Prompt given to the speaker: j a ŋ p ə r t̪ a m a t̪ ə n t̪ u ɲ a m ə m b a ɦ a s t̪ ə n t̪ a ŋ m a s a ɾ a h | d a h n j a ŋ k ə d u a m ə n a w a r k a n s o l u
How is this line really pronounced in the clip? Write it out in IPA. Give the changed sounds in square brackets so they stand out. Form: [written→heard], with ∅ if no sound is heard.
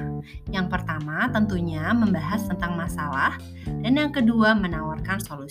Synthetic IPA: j a ŋ p ə r t̪ a m a t̪ ə n t̪ u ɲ a m ə m b a ɦ a s t̪ ə n t̪ a ŋ m a s a [ɾ→l] a h | d a [h→∅] n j a ŋ k ə d u a m ə n a w a r k a n s o l u